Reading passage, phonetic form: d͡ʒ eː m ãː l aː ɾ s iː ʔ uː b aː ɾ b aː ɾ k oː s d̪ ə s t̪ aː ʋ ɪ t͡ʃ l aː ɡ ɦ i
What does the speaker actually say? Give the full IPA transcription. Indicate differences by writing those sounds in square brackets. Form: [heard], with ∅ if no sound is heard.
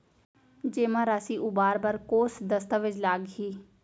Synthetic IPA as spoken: d͡ʒ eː m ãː [ɾ] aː [∅] s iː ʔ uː b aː ɾ b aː ɾ k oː s d̪ ə s t̪ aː ʋ ɪ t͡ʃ l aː ɡ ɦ [iː]